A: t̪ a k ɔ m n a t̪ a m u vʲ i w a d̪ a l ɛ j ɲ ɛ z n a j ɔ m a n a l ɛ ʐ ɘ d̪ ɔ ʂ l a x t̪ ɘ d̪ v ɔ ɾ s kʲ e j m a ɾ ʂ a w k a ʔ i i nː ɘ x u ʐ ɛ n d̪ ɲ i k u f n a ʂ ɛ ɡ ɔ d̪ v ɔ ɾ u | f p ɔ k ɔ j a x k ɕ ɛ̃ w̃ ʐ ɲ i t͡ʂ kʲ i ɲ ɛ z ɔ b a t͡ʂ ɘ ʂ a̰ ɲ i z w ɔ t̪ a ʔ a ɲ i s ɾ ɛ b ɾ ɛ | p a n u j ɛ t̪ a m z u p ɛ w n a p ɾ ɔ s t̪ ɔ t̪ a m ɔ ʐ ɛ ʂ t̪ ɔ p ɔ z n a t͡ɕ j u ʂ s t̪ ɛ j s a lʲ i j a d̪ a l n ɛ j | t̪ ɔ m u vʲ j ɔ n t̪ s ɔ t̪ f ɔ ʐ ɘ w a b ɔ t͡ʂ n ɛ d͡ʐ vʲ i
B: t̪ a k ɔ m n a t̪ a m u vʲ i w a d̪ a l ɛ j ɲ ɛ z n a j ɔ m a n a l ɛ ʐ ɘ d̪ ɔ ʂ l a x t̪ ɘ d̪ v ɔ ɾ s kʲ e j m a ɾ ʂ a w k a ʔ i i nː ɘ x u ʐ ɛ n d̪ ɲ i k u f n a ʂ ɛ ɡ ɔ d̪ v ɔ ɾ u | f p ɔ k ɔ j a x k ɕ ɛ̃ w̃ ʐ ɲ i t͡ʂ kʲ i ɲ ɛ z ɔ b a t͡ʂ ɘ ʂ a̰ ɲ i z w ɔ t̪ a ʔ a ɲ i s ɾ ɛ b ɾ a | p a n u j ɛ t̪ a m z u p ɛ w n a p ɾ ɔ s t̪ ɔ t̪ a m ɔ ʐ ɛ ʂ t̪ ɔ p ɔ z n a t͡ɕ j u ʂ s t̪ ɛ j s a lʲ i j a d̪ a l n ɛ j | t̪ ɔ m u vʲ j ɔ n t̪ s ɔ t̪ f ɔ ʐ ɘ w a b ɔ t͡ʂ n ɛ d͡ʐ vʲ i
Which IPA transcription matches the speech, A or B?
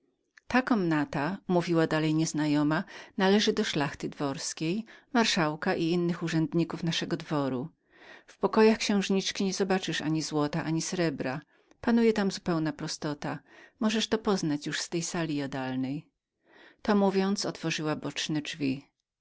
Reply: B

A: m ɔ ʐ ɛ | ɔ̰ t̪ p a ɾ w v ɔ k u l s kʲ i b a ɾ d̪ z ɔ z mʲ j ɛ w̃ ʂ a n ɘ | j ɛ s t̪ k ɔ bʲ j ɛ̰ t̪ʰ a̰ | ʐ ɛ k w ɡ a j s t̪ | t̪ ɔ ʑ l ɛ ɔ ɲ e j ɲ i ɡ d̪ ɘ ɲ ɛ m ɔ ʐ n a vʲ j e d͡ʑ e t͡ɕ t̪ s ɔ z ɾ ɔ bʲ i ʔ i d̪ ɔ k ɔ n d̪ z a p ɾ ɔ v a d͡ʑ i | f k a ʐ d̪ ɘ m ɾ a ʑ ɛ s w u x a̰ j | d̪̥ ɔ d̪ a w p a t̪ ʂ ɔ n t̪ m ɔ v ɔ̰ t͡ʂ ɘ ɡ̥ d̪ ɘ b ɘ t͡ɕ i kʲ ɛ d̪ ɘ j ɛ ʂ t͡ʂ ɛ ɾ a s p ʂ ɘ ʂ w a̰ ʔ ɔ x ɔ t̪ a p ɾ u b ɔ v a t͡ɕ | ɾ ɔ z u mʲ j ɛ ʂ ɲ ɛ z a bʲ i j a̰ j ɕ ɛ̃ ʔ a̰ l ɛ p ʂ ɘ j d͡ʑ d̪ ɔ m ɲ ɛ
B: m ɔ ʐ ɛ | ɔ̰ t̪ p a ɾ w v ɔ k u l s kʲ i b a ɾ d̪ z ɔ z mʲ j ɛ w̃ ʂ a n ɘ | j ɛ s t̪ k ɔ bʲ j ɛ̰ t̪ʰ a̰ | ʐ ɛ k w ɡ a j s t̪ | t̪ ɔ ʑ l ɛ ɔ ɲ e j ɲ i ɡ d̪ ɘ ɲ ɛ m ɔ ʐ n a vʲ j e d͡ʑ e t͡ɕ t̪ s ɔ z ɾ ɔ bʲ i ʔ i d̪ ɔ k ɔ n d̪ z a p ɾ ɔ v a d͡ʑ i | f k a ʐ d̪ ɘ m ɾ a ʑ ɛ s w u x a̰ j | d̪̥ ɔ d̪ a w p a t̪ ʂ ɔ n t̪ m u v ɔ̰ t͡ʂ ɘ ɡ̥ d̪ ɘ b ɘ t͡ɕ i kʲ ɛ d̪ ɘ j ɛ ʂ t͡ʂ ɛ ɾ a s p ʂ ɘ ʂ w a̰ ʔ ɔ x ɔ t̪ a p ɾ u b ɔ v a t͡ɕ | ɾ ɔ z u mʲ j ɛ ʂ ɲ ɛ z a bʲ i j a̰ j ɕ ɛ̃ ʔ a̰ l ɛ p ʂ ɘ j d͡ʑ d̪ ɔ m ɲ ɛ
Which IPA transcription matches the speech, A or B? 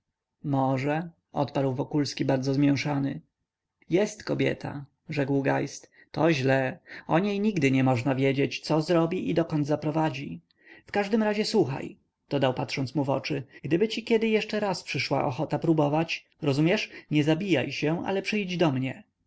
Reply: B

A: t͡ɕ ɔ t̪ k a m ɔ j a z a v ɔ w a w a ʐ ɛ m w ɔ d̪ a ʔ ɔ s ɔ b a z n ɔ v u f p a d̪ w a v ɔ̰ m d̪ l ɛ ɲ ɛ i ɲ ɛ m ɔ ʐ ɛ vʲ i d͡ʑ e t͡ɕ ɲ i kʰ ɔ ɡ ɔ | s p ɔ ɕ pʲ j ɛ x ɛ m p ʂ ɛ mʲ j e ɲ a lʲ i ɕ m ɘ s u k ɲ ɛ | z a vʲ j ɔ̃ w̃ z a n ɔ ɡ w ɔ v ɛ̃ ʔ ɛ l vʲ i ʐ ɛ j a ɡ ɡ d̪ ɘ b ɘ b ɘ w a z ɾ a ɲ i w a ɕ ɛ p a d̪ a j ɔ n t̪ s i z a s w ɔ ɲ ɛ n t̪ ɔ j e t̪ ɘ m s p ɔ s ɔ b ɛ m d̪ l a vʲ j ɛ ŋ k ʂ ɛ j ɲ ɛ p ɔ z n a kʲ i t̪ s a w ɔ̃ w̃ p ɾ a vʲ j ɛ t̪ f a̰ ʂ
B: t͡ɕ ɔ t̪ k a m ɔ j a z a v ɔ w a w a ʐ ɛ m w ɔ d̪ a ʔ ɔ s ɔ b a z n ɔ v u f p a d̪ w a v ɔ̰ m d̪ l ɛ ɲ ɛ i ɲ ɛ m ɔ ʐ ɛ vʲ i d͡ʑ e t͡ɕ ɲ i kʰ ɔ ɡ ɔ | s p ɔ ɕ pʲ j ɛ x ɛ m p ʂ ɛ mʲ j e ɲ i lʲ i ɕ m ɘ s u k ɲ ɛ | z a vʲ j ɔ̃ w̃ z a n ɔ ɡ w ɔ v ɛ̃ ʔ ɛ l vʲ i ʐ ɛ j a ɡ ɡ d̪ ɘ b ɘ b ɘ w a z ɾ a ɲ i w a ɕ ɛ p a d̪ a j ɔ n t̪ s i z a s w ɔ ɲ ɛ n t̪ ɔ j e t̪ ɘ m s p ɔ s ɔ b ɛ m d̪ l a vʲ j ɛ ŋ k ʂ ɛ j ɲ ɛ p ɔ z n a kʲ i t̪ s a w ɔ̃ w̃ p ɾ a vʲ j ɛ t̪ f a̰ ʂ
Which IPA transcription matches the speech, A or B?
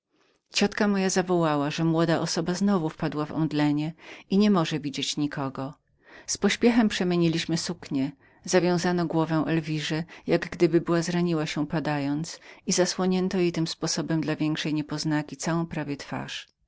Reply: B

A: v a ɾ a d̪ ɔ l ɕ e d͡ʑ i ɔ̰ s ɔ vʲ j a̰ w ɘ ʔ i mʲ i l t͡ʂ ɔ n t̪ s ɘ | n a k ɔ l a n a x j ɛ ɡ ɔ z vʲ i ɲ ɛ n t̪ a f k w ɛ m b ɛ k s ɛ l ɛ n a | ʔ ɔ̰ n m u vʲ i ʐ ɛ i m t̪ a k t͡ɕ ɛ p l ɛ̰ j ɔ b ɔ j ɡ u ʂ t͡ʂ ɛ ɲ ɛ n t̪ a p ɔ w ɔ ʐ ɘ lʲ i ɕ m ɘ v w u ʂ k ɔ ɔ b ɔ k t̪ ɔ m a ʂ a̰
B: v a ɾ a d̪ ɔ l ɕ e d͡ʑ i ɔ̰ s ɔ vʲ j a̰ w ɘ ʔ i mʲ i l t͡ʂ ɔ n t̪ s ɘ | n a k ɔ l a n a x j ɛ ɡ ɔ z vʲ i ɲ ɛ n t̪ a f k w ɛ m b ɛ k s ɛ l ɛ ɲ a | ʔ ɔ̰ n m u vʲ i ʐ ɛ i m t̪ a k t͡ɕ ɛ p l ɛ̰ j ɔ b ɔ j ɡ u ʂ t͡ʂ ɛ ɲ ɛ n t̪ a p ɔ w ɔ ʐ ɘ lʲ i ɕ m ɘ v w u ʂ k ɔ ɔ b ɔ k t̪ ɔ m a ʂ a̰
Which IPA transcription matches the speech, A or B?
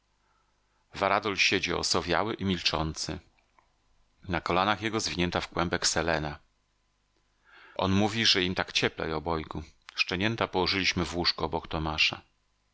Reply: A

